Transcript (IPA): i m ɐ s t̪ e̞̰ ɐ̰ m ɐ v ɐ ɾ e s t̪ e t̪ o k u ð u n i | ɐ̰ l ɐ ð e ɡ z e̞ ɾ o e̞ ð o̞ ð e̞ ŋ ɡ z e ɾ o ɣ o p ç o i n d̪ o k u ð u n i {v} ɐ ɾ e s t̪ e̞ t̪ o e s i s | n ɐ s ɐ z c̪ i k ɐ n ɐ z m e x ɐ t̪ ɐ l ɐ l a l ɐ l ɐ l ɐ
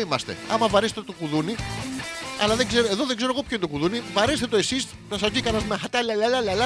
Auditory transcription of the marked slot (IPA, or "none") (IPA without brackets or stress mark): v